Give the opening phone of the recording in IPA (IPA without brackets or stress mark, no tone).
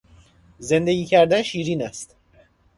z